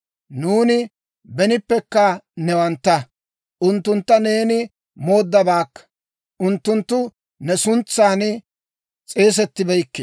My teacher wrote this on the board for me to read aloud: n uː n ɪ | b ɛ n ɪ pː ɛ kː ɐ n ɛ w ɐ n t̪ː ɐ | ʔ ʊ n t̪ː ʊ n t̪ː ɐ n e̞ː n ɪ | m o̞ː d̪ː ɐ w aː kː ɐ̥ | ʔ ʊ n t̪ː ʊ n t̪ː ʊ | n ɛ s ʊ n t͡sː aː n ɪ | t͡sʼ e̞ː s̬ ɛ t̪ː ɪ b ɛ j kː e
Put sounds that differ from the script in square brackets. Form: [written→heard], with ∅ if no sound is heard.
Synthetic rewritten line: n uː n ɪ | b ɛ n ɪ pː ɛ kː ɐ n ɛ w ɐ n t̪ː ɐ | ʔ ʊ n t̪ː ʊ n t̪ː ɐ n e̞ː n ɪ | m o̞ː d̪ː ɐ [w→b] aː kː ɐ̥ | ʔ ʊ n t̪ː ʊ n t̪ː ʊ | n ɛ s ʊ n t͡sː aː n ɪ | t͡sʼ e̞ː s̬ ɛ t̪ː ɪ b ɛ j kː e

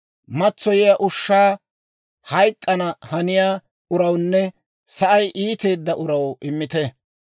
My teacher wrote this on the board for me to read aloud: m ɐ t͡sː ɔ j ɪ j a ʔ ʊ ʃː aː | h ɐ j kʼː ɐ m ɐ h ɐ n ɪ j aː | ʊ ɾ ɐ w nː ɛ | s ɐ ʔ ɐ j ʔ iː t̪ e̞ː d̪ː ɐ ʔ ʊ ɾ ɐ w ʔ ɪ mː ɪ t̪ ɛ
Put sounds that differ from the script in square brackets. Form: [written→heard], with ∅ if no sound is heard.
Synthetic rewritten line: m ɐ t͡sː ɔ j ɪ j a ʔ ʊ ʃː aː | h ɐ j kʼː ɐ [m→n] ɐ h ɐ n ɪ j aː | ʊ ɾ ɐ w nː ɛ | s ɐ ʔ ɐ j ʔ iː t̪ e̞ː d̪ː ɐ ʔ ʊ ɾ ɐ w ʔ ɪ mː ɪ t̪ ɛ

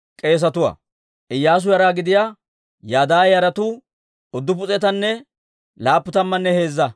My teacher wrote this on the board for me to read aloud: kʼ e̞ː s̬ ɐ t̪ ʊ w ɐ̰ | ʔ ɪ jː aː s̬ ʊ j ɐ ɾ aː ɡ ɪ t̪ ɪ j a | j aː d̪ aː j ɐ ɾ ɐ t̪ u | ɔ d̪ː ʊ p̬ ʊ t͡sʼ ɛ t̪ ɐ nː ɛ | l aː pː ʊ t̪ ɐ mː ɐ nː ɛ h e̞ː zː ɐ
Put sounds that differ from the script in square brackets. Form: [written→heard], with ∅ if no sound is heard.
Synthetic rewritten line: kʼ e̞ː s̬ ɐ t̪ ʊ w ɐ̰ | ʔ ɪ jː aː s̬ ʊ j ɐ ɾ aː ɡ ɪ [t̪→d̪] ɪ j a | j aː d̪ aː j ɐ ɾ ɐ t̪ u | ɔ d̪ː ʊ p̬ ʊ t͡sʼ ɛ t̪ ɐ nː ɛ | l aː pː ʊ t̪ ɐ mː ɐ nː ɛ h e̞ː zː ɐ

